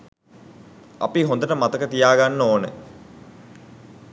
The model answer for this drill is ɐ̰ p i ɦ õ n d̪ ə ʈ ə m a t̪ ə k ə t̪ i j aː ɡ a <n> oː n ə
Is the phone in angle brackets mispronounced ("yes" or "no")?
yes